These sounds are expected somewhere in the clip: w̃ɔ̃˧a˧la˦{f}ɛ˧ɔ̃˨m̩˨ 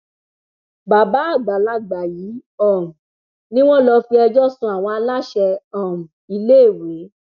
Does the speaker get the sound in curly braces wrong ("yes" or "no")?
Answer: yes